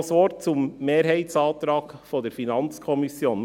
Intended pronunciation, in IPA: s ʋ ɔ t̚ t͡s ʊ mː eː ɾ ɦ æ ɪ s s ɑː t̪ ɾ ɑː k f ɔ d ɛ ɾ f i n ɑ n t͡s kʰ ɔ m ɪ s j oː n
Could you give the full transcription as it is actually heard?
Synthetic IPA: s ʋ ɔ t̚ t͡s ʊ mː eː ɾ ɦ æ ɪ t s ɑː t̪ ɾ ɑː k f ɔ d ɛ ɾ f i n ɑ n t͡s kʰ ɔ m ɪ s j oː n